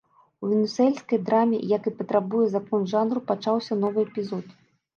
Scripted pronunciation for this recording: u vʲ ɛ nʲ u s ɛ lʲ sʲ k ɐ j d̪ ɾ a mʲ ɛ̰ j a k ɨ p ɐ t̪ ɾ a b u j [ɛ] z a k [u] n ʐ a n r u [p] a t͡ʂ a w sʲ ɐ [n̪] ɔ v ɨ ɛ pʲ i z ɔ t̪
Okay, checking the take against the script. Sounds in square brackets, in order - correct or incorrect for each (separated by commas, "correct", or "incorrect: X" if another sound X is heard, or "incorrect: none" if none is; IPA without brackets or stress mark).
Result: correct, incorrect: ɔ, correct, correct